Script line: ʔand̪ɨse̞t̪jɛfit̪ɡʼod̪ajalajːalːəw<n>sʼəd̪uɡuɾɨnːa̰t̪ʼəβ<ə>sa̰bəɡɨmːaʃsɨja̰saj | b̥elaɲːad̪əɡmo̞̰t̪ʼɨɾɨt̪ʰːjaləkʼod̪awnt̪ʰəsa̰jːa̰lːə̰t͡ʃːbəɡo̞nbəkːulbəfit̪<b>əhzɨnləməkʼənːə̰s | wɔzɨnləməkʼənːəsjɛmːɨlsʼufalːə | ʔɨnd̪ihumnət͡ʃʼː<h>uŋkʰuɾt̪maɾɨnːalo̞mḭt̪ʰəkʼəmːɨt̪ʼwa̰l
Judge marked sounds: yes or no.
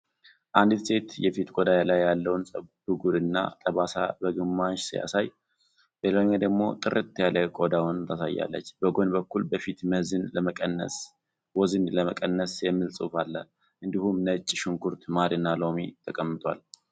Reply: yes, no, no, no

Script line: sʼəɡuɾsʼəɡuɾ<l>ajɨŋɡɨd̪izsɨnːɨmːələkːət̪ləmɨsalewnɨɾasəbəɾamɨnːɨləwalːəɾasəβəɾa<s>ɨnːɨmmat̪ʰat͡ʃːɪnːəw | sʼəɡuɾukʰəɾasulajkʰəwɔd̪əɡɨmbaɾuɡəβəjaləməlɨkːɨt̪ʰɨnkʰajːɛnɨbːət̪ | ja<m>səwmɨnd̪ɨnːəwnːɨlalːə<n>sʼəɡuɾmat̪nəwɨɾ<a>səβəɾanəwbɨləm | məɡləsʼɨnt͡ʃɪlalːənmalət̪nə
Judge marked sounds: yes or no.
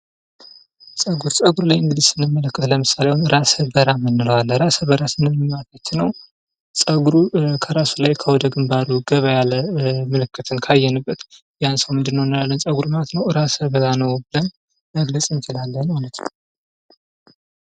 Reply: yes, yes, no, yes, yes

